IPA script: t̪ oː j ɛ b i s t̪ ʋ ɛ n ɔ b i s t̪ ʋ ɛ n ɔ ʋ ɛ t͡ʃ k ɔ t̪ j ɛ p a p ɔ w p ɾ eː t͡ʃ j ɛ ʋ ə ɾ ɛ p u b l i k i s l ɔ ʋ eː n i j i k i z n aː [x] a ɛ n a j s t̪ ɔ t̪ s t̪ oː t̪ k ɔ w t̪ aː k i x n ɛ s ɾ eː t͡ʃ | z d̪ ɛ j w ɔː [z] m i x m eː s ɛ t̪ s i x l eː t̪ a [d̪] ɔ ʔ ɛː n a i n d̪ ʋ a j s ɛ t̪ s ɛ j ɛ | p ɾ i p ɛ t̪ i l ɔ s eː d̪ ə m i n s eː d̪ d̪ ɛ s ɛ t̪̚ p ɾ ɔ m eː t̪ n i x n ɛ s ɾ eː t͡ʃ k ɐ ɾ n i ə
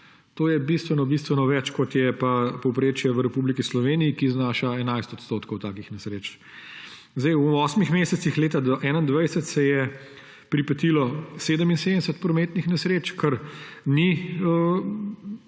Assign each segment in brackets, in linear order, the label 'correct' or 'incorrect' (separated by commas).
incorrect, incorrect, correct